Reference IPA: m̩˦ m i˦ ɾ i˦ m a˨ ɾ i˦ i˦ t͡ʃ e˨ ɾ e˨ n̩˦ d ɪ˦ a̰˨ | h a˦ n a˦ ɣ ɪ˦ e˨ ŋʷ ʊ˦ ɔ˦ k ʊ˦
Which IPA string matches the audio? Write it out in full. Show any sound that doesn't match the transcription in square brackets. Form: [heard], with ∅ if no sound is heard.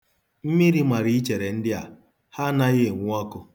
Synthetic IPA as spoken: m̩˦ m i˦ ɾ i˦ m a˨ ɾ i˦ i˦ t͡ʃ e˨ ɾ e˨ n̩˦ d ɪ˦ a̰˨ | h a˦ n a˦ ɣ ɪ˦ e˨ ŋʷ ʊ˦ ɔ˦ k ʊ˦